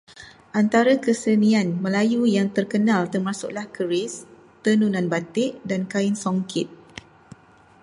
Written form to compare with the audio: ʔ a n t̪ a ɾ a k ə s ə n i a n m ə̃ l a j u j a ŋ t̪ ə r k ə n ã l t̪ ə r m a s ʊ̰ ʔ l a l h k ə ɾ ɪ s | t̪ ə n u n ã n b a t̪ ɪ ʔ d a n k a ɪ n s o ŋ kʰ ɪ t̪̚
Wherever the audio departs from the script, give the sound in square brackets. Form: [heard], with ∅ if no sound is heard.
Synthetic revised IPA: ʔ a n t̪ a ɾ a k ə s ə n i a n m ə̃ l a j u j a ŋ t̪ ə r k ə n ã l t̪ ə r m a s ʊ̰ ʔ l a [∅] h k ə ɾ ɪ s | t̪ ə n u n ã n b a t̪ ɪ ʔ d a n k a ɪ n s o ŋ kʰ ɪ t̪̚